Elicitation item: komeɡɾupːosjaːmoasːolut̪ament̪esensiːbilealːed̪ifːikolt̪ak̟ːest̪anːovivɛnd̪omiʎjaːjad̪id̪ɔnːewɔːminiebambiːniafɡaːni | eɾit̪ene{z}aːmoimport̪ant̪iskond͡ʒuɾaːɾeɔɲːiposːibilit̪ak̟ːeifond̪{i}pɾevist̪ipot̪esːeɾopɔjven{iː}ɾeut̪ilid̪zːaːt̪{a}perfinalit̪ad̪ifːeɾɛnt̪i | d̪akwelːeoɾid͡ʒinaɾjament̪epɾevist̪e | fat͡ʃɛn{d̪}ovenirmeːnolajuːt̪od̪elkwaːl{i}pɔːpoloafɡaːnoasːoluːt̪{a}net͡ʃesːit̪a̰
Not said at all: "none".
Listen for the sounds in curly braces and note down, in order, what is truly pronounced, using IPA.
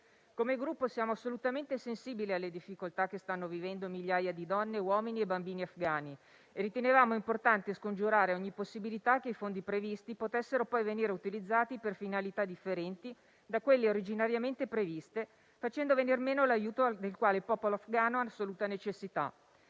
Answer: v, i, iː, i, d̪, e, a

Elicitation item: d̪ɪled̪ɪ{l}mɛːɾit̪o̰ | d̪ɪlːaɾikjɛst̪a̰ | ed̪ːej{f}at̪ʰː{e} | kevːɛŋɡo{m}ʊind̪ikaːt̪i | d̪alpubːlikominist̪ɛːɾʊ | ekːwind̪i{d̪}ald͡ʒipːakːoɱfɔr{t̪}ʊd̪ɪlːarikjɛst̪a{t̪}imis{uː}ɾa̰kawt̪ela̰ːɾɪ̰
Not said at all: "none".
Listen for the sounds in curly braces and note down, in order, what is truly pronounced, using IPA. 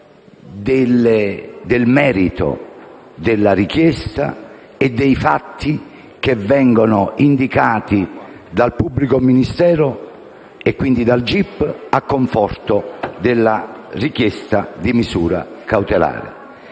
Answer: l, f, i, n, d̪, t̪, d̪, uː

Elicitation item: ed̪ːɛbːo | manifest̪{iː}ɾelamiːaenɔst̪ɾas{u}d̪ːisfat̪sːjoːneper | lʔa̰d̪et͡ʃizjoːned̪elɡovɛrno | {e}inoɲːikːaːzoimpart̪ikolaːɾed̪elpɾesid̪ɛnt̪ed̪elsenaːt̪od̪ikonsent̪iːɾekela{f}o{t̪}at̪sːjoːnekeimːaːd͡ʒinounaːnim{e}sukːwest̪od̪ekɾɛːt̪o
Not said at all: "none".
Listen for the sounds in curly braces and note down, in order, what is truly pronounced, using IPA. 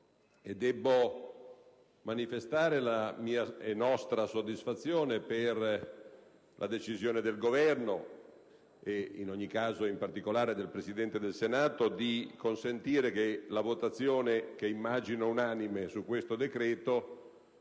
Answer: aː, o, e, v, t̪, e

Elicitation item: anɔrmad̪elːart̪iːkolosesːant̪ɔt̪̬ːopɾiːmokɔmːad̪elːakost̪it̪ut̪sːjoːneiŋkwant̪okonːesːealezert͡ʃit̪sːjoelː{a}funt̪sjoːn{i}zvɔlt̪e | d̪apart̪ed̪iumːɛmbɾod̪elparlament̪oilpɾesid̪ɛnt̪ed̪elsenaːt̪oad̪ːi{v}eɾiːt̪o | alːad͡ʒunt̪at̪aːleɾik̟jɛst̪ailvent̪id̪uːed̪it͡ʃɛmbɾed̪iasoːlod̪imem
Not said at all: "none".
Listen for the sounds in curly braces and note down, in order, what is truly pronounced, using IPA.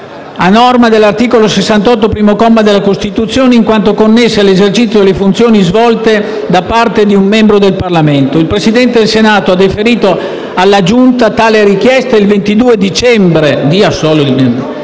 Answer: e, i, f

